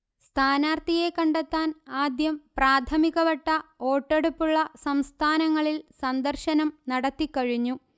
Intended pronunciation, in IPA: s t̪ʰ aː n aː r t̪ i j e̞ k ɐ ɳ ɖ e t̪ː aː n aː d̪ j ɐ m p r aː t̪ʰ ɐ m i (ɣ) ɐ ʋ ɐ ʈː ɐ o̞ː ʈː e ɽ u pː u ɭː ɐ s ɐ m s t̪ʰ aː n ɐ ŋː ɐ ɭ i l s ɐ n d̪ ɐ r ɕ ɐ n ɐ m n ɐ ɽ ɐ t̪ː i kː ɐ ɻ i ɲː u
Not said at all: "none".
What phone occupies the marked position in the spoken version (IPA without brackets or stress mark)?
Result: ɣ